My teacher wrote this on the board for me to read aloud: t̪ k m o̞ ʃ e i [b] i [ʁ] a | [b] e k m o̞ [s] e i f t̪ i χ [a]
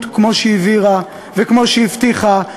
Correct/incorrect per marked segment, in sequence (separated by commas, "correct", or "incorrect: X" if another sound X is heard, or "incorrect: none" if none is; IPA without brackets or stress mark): incorrect: v, correct, incorrect: v, incorrect: ʃ, correct